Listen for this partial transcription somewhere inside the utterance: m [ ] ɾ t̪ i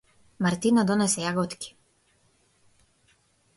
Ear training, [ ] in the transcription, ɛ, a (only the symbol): a